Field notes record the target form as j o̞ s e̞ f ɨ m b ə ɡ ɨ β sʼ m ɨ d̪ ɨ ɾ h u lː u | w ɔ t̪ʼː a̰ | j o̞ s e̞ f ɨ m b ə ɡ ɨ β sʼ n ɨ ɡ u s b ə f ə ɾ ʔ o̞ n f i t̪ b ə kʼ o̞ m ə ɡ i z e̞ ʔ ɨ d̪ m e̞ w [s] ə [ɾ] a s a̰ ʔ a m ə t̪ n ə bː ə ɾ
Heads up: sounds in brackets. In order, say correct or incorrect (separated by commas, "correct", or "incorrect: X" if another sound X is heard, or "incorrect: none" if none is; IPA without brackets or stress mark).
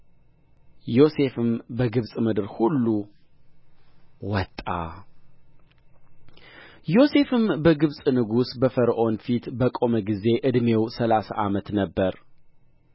correct, incorrect: l